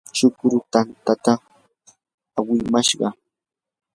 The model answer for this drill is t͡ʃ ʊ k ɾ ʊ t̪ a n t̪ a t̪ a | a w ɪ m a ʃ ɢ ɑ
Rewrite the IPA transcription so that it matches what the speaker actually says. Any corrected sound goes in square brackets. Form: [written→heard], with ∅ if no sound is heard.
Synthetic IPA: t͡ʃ ʊ k ɾ ʊ t̪ a n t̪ a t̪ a | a w ɪ m a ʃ ɢ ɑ